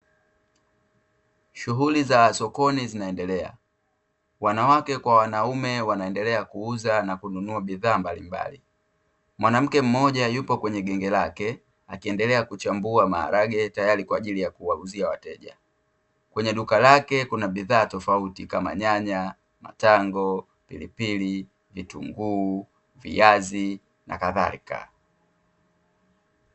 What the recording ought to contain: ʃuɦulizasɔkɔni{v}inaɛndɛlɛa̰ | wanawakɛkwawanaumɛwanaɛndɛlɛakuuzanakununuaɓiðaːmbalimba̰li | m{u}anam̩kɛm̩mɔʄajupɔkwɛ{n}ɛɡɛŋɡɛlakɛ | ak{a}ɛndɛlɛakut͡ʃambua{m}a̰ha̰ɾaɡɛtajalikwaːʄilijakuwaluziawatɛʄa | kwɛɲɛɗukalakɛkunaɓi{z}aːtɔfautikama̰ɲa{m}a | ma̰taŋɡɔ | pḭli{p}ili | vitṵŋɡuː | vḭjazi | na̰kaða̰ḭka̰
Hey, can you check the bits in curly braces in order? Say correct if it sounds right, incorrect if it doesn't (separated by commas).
incorrect, incorrect, incorrect, incorrect, correct, incorrect, incorrect, correct